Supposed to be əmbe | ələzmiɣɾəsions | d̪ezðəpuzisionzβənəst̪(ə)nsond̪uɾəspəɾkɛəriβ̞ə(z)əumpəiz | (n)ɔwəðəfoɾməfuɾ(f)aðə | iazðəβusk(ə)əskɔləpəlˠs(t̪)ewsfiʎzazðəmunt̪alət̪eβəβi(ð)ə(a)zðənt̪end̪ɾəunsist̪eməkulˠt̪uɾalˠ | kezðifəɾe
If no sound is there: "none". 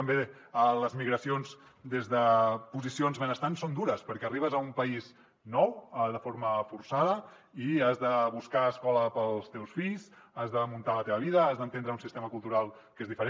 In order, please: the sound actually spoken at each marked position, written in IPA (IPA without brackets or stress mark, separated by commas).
a, z, n, s, a, t̪, ð, a